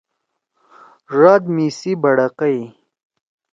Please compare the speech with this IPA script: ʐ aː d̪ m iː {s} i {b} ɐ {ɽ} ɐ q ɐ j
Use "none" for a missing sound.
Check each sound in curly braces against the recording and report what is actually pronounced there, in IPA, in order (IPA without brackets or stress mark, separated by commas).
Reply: s, b, ɽ